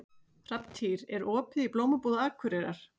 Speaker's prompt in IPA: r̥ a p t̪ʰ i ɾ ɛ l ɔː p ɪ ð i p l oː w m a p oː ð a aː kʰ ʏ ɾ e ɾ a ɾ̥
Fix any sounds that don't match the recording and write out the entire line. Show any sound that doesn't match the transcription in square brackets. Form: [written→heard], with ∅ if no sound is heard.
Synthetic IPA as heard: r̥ a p t̪ʰ i ɾ ɛ [l→ɾ] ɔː p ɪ ð i p l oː w m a p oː ð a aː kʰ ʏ ɾ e ɾ a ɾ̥